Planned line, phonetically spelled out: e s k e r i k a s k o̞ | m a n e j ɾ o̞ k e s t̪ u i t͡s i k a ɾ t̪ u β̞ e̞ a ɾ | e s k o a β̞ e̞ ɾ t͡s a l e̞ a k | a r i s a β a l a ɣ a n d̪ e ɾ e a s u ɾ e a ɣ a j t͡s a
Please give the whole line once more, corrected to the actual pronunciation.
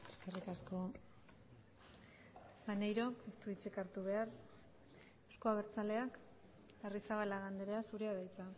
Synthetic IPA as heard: e s k e r i k a s k o̞ | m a n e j ɾ o̞ k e s t̪ u i t͡s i k a ɾ t̪ u β̞ e̞ a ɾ | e s k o a β̞ e̞ ɾ t͡s a l e̞ a k | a r i s a β a l a ɣ a n d̪ e ɾ e a s u ɾ e a ð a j t͡s a